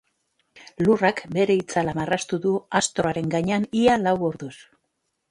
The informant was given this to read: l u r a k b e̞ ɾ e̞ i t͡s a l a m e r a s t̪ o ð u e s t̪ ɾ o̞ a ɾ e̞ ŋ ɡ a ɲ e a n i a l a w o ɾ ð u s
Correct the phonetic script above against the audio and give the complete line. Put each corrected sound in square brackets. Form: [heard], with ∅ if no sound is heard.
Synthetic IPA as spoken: l u r a k b e̞ ɾ e̞ i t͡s a l a m [a] r a s t̪ [u] ð u [a] s t̪ ɾ o̞ a ɾ e̞ ŋ ɡ a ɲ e a n i a l a w o ɾ ð u s